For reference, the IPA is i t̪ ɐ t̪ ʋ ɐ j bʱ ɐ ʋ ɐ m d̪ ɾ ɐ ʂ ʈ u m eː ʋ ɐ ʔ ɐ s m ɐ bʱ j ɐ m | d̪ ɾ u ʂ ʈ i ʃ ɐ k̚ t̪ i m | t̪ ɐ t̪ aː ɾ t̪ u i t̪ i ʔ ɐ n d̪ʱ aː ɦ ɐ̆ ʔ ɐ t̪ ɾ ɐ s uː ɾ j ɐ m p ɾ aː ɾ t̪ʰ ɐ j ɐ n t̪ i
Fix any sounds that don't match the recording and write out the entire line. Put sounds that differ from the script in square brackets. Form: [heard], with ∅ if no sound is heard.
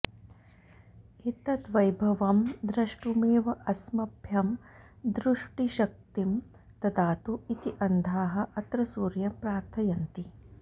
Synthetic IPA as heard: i t̪ ɐ t̪ ʋ ɐ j bʱ ɐ ʋ ɐ m d̪ ɾ ɐ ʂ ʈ u m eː ʋ ɐ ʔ ɐ s m ɐ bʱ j ɐ m | d̪ ɾ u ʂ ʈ i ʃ ɐ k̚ t̪ i m | t̪ ɐ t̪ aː [∅] t̪ u i t̪ i ʔ ɐ n d̪ʱ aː ɦ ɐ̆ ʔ ɐ t̪ ɾ ɐ s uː ɾ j ɐ m p ɾ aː ɾ t̪ʰ ɐ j ɐ n t̪ i